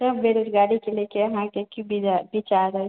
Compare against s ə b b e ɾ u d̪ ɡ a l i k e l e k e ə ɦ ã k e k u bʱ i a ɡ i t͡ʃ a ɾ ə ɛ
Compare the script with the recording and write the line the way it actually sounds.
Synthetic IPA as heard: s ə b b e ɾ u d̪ ɡ a ɽ i k e l e k e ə ɦ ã k e k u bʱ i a b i t͡ʃ a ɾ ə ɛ